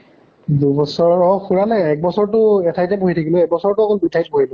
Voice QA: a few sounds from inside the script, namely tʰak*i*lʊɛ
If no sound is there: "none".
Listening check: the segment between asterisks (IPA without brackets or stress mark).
i